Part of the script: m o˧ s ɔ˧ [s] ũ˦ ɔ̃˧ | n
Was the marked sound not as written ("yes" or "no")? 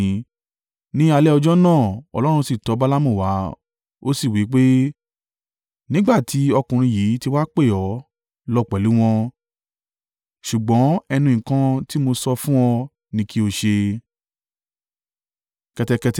yes